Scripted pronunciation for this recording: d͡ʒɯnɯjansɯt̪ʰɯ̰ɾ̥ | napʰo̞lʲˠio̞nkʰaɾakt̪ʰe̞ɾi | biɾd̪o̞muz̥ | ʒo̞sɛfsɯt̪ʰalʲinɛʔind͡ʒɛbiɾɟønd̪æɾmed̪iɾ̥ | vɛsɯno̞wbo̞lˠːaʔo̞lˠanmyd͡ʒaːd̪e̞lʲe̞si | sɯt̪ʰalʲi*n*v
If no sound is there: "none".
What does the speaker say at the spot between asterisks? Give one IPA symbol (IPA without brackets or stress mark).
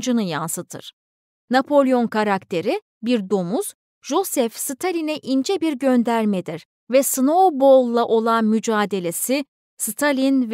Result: n